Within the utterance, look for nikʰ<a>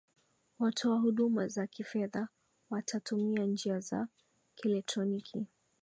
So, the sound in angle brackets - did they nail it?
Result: no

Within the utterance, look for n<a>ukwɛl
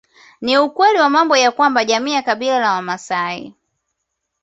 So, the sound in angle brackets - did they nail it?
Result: no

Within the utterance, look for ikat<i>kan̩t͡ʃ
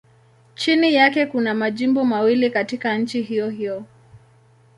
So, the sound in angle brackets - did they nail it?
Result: yes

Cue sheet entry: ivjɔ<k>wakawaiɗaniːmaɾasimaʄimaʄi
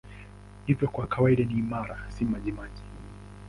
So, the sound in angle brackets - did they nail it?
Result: yes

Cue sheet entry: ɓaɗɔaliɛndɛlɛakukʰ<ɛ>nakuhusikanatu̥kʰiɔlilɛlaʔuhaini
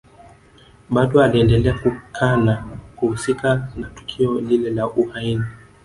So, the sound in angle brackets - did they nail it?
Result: no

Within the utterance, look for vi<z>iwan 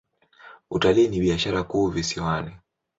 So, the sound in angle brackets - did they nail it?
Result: no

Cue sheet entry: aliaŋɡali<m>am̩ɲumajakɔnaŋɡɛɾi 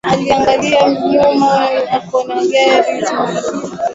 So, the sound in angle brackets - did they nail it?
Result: no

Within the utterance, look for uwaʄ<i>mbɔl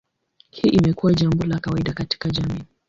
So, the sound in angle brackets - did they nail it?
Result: no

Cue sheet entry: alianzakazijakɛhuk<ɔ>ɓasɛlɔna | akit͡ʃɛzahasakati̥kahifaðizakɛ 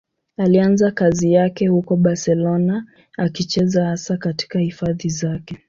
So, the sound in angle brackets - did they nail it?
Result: yes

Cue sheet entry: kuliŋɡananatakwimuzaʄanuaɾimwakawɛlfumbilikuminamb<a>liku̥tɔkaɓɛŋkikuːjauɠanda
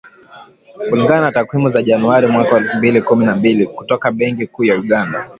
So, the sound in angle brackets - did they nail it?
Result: no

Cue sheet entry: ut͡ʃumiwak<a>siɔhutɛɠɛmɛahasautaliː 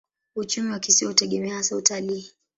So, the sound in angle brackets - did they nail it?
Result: no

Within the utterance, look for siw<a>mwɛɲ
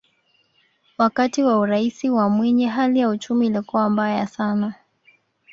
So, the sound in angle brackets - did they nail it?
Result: yes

